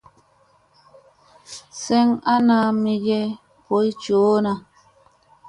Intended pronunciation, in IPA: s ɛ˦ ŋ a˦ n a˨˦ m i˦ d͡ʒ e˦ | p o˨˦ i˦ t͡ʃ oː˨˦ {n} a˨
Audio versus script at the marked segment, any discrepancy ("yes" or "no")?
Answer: no